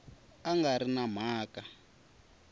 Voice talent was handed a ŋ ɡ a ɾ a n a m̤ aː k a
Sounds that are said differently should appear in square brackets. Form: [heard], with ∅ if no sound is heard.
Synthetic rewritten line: a ŋ ɡ a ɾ [i] n a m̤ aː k a